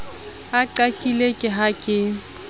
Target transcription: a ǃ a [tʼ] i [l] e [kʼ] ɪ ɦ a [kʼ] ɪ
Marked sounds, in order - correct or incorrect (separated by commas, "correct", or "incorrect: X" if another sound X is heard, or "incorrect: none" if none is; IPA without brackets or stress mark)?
incorrect: kʼ, correct, correct, correct